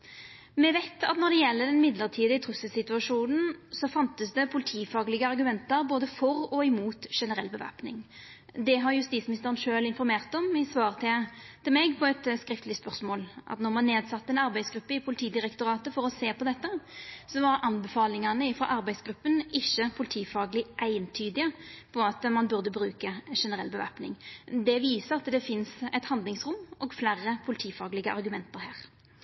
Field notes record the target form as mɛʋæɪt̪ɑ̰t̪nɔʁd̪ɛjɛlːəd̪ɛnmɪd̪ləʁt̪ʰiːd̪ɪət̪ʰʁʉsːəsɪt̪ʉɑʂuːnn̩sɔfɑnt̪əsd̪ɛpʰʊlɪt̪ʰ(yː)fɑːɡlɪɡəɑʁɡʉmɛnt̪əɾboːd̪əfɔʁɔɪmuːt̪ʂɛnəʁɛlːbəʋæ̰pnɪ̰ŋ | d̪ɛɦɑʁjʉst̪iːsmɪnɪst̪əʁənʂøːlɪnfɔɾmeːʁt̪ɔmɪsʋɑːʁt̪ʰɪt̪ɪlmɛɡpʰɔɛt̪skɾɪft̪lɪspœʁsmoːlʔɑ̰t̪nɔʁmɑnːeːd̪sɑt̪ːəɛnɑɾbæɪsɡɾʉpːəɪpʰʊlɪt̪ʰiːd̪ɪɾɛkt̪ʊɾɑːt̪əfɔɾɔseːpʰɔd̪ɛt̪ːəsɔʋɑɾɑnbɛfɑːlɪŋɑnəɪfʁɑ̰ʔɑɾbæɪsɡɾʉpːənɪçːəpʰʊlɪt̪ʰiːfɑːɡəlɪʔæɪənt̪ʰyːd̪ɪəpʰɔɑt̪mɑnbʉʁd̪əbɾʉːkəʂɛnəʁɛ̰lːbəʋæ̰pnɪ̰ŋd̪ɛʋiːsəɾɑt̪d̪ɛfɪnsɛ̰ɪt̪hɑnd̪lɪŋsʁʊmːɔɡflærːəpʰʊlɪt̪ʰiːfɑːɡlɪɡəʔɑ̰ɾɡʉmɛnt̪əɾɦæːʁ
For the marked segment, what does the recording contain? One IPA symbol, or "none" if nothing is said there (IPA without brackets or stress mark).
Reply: iː